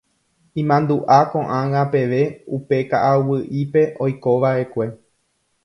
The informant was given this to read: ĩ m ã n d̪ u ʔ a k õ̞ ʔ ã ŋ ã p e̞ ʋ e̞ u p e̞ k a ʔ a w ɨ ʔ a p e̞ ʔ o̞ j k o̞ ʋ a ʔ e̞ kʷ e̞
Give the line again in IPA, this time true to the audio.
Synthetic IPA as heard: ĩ m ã n d̪ u ʔ a k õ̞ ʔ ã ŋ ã p e̞ ʋ e̞ u p e̞ k a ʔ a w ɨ ʔ i p e̞ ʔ o̞ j k o̞ ʋ a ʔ e̞ kʷ e̞